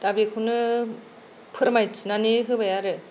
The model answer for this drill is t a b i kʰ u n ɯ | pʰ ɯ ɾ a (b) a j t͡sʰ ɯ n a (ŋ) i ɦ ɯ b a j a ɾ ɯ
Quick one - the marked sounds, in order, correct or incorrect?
incorrect: m, incorrect: n

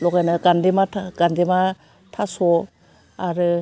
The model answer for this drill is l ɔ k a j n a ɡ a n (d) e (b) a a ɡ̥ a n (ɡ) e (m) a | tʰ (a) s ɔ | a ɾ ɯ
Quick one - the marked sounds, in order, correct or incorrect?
correct, incorrect: m, incorrect: d, correct, correct

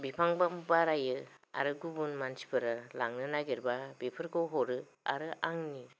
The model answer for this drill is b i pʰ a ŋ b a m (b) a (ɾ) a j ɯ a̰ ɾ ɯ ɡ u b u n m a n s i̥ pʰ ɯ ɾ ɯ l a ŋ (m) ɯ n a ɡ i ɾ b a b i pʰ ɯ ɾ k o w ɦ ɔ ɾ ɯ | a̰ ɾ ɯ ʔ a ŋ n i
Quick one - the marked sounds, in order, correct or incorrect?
correct, correct, incorrect: n

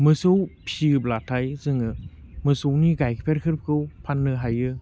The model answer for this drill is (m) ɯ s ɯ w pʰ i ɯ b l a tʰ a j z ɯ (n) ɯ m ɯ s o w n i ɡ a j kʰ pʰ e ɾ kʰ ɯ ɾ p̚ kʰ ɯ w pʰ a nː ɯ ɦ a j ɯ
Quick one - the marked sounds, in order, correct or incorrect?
correct, incorrect: ŋ

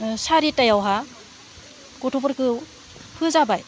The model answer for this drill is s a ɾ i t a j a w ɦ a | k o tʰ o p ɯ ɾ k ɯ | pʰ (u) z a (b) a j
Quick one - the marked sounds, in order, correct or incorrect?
incorrect: ɯ, correct

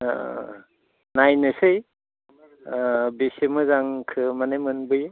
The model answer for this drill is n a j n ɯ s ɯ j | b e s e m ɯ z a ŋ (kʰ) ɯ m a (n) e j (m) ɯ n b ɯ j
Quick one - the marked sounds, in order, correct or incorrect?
correct, correct, correct

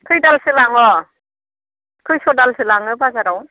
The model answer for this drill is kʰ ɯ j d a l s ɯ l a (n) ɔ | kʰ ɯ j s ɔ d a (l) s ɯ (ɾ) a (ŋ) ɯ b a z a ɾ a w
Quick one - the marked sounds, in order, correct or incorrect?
incorrect: ŋ, correct, incorrect: l, correct

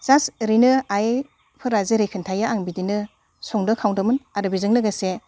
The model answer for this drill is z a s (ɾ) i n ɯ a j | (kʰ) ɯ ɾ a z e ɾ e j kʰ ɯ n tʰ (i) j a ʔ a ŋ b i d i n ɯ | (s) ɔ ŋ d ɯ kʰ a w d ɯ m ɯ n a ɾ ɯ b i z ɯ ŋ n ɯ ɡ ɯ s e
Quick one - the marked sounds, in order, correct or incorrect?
correct, incorrect: pʰ, incorrect: a, correct

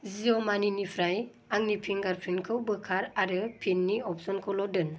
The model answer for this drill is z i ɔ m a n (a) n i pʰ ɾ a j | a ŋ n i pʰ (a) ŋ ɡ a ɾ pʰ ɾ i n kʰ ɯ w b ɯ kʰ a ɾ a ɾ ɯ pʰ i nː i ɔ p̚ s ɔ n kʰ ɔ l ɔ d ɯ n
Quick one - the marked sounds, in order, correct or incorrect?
incorrect: i, incorrect: i

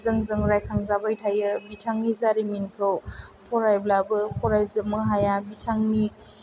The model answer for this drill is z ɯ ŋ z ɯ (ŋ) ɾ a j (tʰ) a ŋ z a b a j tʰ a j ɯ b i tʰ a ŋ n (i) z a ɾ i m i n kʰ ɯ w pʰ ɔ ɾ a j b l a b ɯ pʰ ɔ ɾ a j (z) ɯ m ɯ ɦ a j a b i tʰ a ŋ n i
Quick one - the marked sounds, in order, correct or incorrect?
correct, incorrect: kʰ, correct, correct

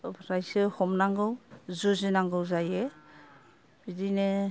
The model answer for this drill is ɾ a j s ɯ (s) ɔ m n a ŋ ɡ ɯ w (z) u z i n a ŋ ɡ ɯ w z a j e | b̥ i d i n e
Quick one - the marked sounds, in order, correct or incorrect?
incorrect: h, correct

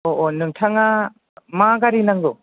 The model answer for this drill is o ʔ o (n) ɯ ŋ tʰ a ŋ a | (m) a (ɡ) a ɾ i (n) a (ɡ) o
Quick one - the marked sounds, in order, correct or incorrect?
correct, correct, correct, correct, incorrect: ŋ

